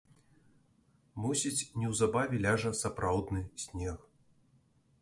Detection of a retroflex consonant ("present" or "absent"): present